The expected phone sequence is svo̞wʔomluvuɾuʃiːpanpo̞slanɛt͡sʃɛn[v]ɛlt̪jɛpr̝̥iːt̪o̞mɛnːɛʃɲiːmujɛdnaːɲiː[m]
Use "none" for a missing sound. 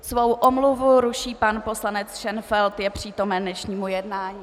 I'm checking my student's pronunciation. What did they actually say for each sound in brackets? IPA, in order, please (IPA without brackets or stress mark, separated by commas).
f, none